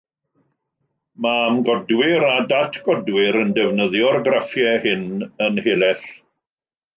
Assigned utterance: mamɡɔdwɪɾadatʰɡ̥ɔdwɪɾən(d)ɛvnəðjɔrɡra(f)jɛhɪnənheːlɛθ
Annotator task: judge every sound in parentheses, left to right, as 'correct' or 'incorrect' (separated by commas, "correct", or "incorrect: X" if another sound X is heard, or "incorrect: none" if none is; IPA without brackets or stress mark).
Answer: correct, correct